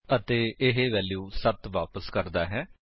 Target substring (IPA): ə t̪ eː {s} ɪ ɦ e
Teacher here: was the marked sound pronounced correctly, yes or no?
no